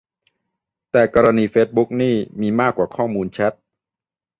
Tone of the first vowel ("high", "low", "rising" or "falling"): low